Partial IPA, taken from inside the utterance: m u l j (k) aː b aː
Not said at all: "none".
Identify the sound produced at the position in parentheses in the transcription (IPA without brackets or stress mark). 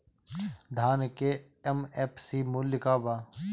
k